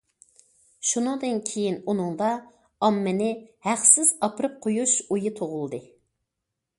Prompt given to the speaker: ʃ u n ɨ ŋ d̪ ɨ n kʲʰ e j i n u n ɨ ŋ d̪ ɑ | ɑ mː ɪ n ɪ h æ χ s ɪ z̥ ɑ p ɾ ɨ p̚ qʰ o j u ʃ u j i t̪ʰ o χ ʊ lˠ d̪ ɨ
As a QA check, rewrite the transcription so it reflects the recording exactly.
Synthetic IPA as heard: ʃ u n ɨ ŋ d̪ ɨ n kʲʰ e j i n u n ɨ ŋ d̪ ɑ | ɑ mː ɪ n ɪ h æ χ s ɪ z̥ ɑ p ɾ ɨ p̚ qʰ o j u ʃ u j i t̪ʰ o ʁ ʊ lˠ d̪ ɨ

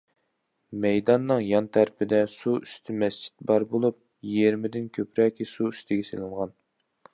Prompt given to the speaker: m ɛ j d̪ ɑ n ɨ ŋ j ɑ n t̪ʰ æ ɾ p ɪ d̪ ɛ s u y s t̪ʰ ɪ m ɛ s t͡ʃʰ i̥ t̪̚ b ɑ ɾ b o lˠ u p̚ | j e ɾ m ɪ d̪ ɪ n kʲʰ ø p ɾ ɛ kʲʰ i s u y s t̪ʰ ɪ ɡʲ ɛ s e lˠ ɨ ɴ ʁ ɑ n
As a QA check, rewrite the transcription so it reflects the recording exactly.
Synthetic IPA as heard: m ɛ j d̪ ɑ nː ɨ ŋ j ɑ n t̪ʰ æ ɾ p ɪ d̪ ɛ s u y s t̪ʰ ɪ m ɛ s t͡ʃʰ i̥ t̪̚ b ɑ ɾ b o lˠ u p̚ | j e ɾ m ɪ d̪ ɪ n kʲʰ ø p ɾ ɛ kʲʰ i s u y s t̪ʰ ɪ ɡʲ ɛ s e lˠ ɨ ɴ ʁ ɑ n

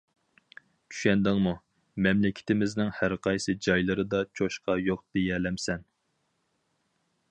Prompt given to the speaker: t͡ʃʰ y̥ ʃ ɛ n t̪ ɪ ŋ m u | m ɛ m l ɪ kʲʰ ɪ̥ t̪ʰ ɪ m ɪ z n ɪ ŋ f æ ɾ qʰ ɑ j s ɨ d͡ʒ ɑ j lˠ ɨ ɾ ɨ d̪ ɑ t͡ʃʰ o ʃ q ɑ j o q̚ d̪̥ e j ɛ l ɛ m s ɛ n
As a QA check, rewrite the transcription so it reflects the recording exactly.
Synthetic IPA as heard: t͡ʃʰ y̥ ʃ ɛ n d̪ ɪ ŋ m u | m ɛ m l ɪ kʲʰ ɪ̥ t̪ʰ ɪ m ɪ z n ɪ ŋ h æ ɾ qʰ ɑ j s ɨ d͡ʒ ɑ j lˠ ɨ ɾ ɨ d̪ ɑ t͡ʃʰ o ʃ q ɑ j o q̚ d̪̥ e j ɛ l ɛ m s ɛ n

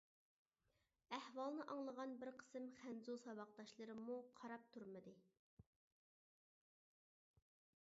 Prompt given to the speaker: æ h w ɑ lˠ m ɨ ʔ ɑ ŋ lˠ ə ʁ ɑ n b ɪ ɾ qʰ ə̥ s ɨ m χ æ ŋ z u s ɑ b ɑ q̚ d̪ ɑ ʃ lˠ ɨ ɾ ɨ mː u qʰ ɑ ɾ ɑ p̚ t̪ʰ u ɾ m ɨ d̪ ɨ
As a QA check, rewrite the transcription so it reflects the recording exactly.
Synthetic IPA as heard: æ h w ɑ lˠ n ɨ ʔ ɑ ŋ lˠ ə ʁ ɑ n b ɪ ɾ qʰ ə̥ s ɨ m χ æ n z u s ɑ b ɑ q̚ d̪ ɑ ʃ lˠ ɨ ɾ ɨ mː u qʰ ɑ ɾ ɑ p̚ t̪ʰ u ɾ m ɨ d̪ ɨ

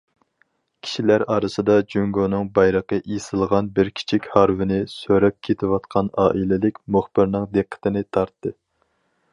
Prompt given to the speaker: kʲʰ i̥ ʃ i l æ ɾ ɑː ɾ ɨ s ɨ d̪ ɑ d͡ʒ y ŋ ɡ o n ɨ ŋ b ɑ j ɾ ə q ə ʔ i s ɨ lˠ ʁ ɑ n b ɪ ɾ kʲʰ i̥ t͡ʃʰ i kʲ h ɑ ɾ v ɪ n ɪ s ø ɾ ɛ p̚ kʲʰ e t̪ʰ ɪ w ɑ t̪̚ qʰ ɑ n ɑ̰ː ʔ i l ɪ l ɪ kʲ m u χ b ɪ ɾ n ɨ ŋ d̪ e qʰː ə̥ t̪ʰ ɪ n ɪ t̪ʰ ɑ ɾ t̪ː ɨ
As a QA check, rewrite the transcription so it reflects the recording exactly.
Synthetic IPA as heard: kʲʰ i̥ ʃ i l æ ɾ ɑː ɾ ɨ s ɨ d̪ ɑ d͡ʒ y ŋ ɡ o n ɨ ŋ b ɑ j ɾ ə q ə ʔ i s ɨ lˠ ʁ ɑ n b ɪ ɾ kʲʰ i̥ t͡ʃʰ i kʲ h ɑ ɾ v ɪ n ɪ s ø ɾ ɛ p̚ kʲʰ e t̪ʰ ɪ w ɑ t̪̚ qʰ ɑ n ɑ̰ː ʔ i l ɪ l ɪ kʲ m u χ b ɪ ɾ n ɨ ŋ d̪ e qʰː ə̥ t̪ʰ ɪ n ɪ t̪ʰ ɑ ɾ t̪ː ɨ

